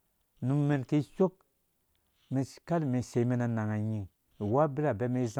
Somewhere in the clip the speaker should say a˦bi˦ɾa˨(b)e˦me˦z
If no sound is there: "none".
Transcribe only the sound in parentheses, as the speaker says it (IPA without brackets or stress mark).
b